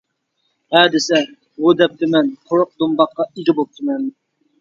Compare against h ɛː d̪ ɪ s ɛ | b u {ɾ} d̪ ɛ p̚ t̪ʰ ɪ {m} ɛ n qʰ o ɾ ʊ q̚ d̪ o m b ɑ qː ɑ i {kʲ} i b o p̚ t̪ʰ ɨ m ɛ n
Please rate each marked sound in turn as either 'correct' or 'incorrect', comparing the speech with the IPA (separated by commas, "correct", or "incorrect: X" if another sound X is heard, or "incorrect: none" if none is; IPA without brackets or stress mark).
incorrect: none, correct, incorrect: ɡʲ